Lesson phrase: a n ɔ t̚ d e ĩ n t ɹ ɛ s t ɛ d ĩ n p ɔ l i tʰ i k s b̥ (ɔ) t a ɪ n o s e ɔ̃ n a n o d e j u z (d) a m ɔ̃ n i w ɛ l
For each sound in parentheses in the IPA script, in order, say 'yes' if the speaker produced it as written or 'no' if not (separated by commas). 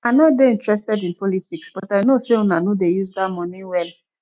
yes, yes